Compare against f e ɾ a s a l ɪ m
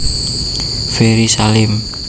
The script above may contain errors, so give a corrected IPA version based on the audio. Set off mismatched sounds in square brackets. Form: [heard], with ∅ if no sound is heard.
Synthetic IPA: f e ɾ [i] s a l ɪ m